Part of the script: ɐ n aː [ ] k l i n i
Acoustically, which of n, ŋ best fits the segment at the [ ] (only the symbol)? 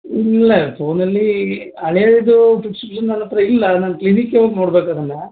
n